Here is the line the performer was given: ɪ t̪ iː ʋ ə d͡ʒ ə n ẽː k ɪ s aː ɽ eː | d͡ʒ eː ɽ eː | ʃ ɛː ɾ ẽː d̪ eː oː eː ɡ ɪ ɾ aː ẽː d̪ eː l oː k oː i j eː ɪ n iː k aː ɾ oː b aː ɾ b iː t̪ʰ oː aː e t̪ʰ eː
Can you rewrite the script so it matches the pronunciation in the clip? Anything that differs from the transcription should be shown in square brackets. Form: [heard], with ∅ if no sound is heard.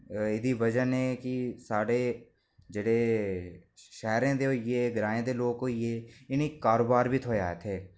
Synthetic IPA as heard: ɪ [d̪] iː ʋ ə d͡ʒ ə n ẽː k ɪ s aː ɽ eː | d͡ʒ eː ɽ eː | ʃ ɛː ɾ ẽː d̪ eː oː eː ɡ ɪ ɾ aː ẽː d̪ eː l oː k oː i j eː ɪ n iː k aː ɾ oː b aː ɾ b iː t̪ʰ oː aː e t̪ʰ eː